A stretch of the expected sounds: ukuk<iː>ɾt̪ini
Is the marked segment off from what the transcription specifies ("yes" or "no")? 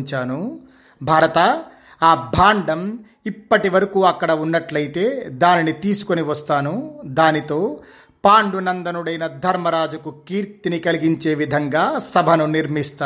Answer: no